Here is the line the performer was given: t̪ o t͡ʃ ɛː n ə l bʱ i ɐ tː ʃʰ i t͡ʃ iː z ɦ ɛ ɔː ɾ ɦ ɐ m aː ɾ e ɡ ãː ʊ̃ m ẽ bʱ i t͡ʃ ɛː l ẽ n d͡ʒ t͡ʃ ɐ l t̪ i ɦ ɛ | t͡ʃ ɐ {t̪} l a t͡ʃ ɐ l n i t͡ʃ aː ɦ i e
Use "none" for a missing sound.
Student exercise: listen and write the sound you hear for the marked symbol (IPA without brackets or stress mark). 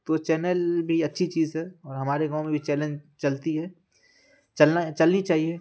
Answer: none